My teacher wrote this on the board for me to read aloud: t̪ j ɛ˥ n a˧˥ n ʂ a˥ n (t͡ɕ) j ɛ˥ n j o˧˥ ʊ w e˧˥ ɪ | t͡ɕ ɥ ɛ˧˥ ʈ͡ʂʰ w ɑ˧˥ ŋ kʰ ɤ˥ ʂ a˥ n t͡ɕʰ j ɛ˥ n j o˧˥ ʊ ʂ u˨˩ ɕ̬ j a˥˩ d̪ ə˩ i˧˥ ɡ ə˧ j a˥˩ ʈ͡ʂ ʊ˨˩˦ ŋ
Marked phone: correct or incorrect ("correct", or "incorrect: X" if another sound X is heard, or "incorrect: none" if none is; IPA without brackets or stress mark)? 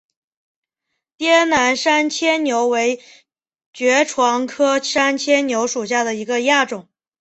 incorrect: t͡ɕʰ